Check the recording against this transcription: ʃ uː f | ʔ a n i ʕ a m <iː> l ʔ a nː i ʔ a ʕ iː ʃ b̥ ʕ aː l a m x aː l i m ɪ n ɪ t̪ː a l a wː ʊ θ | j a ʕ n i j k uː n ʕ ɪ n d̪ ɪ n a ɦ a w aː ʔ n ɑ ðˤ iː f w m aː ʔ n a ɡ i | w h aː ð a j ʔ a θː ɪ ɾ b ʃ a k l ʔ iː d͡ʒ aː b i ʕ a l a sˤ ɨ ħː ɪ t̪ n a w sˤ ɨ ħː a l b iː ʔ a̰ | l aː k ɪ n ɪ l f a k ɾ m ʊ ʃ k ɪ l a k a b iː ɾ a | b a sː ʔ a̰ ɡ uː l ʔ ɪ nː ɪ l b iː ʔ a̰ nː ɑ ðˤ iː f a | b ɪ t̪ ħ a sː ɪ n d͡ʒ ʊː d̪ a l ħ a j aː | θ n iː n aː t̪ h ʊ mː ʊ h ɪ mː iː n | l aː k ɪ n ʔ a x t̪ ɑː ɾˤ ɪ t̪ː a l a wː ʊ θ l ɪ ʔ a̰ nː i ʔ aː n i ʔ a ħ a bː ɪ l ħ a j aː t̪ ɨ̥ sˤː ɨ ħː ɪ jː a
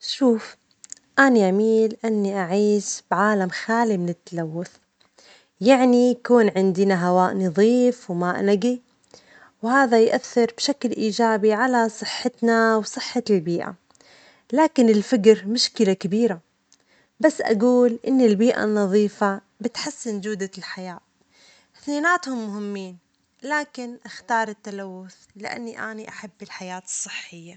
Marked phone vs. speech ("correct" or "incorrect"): correct